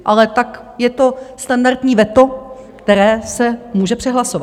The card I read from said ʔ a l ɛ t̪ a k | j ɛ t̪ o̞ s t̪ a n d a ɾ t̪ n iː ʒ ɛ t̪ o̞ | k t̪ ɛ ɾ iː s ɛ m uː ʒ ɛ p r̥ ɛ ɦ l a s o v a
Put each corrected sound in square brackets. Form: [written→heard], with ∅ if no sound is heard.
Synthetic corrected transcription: ʔ a l ɛ t̪ a k | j ɛ t̪ o̞ s t̪ a n d a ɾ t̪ [n→ɲ] iː [ʒ→v] ɛ t̪ o̞ | k t̪ ɛ ɾ [iː→ɛː] s ɛ m uː ʒ ɛ p r̥ ɛ ɦ l a s o v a